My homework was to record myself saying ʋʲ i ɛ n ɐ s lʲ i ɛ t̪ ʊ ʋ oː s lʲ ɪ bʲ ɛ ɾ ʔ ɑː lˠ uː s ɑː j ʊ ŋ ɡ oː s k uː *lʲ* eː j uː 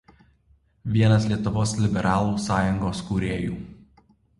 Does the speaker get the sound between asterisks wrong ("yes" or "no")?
yes